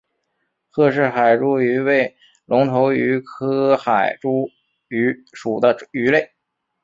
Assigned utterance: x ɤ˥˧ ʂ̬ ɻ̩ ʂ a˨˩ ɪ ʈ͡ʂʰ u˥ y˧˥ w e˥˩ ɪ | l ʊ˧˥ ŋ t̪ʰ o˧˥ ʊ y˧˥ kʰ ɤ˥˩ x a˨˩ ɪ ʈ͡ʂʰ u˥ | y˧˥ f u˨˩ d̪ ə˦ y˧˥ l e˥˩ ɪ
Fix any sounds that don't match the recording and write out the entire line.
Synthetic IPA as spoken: x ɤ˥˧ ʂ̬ ɻ̩ x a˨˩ ɪ ʈ͡ʂ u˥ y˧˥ w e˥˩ ɪ | l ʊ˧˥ ŋ t̪ʰ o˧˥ ʊ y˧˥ kʰ ɤ˥ x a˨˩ ɪ ʈ͡ʂ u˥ | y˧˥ ʂ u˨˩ d̪ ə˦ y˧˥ l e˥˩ ɪ